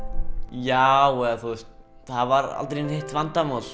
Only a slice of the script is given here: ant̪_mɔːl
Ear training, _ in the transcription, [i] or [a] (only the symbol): a